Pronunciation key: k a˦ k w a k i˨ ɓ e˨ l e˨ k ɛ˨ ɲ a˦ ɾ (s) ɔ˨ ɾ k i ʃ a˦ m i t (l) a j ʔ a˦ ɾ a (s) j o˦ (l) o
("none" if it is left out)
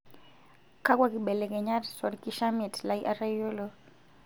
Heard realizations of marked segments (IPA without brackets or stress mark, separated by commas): s, l, none, l